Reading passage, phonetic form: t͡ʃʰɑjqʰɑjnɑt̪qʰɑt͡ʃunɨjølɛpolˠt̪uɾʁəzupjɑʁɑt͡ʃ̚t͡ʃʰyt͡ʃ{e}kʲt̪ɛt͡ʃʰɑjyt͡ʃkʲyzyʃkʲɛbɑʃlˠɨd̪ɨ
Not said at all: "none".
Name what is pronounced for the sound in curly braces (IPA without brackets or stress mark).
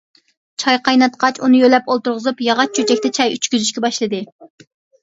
ɛ